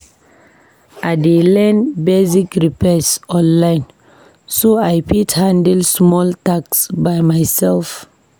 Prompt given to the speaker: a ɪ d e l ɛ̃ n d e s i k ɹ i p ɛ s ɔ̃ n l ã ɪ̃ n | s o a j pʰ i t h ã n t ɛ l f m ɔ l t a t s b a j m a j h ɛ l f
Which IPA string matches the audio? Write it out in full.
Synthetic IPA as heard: a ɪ d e l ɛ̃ n b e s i k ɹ i p ɛ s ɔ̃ n l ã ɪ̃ n | s o a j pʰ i t h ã n d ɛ l s m ɔ l t a k s b a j m a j s ɛ l f